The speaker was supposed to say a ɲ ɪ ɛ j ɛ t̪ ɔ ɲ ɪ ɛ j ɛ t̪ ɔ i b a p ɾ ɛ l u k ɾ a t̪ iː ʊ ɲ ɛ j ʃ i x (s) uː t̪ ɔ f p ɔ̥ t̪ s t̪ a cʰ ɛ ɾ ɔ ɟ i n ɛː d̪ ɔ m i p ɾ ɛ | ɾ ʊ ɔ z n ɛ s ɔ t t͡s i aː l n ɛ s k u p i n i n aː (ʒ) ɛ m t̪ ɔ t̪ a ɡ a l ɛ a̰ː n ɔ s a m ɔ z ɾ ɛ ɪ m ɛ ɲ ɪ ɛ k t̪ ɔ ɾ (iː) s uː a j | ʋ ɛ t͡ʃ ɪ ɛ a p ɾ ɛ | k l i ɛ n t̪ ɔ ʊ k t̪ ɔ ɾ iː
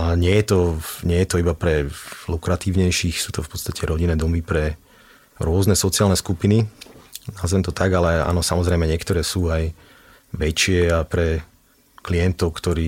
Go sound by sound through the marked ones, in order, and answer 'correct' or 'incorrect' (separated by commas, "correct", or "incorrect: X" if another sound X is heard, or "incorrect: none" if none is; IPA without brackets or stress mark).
correct, incorrect: z, incorrect: ɛː